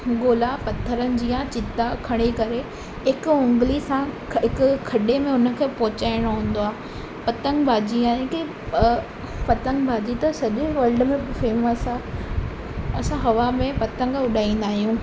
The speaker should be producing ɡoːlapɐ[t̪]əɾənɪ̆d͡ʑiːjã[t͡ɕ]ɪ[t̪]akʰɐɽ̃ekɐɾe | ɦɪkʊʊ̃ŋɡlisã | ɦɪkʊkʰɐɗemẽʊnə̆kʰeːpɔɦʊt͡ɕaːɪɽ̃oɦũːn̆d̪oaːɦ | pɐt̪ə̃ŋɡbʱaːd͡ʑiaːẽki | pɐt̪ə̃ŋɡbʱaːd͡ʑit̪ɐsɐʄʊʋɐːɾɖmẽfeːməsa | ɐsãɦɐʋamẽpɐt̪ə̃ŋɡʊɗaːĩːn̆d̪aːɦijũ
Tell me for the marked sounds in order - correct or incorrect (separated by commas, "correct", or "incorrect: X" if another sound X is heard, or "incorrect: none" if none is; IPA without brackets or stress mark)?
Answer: incorrect: t̪ʰ, correct, correct